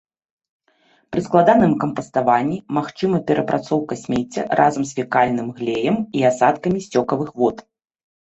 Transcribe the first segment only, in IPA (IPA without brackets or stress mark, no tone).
p